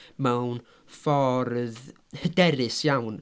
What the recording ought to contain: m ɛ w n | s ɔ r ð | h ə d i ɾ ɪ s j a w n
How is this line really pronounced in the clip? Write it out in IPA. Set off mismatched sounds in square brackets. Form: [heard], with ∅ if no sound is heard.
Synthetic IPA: m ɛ w n | [f] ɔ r ð | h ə d [ɛ] ɾ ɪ s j a w n